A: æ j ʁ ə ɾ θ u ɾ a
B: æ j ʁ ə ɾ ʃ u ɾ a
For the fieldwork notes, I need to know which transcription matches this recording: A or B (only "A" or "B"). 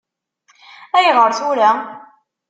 A